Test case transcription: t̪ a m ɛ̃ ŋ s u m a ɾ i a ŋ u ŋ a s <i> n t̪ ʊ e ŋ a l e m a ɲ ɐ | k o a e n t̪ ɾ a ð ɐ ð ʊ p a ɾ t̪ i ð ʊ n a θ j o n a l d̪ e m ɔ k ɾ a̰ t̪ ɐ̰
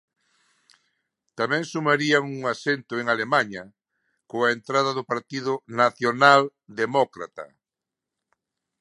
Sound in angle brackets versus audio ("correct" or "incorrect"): incorrect